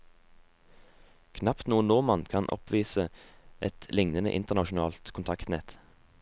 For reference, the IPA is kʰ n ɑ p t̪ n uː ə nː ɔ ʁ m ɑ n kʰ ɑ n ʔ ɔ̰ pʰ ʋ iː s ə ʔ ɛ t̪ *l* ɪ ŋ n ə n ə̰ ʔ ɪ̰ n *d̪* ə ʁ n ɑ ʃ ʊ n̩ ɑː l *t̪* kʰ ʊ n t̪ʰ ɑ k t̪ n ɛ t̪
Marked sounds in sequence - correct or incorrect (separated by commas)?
correct, incorrect, correct